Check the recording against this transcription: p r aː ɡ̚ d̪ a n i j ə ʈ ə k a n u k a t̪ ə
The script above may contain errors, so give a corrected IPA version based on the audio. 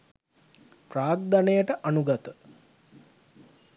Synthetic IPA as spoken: p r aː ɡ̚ d̪ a n e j ə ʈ ə ʔ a n u ɡ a t̪ ə